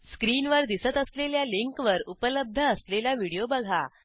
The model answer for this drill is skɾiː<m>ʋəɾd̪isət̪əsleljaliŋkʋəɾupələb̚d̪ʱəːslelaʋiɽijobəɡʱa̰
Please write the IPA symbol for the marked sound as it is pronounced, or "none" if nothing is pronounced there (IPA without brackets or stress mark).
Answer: n